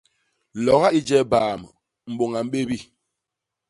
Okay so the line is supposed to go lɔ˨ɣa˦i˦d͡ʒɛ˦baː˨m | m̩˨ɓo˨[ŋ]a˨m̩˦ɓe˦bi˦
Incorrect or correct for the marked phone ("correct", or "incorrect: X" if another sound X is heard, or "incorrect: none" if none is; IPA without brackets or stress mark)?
correct